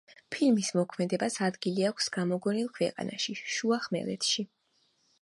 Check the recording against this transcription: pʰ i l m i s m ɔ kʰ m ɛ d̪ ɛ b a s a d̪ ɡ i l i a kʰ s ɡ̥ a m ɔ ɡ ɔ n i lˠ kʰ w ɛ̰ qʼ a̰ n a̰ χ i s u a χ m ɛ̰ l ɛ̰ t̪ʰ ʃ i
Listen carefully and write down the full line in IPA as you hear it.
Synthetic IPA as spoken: pʰ i l m i s m ɔ kʰ m ɛ d̪ ɛ b a s a d̪ ɡ i l i a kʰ s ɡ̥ a m ɔ ɡ ɔ n i lˠ kʰ w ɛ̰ qʼ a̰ n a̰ ʃ i ʃ u a χ m ɛ̰ l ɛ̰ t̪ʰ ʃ i